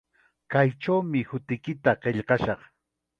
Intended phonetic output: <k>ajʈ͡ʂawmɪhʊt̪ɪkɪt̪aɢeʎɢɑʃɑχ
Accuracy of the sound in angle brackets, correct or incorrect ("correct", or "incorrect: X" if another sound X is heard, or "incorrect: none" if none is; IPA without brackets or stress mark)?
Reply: correct